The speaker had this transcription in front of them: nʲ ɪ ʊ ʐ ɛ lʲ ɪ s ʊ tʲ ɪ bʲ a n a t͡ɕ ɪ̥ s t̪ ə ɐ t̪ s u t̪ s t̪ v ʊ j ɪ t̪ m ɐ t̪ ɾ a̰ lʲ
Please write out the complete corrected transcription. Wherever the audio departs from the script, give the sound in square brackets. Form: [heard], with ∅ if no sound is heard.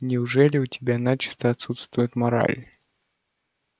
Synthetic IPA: nʲ ɪ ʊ ʐ ɛ lʲ ɪ [∅] ʊ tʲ ɪ bʲ a n a t͡ɕ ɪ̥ s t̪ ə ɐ t̪ s u t̪ s t̪ v ʊ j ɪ t̪ m ɐ [∅] ɾ a̰ lʲ